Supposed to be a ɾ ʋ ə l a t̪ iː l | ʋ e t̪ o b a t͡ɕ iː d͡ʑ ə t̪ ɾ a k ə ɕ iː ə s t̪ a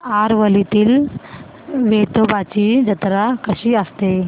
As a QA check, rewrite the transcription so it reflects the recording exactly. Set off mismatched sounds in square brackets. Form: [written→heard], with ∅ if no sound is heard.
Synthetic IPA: a ɾ ʋ ə l [a→i] t̪ iː l | ʋ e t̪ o b a t͡ɕ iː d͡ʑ ə t̪ ɾ a k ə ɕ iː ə s t̪ [a→e]